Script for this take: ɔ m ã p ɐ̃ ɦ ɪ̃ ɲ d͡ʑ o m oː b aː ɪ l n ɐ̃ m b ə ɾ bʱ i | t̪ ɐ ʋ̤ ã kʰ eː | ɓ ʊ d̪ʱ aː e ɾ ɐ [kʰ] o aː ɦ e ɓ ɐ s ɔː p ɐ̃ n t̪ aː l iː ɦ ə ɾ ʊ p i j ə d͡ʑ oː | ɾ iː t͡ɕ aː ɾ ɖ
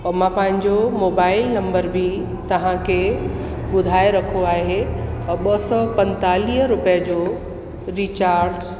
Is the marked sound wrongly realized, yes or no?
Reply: no